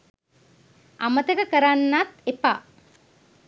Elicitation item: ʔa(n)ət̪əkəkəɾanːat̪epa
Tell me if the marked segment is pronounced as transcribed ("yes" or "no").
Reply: no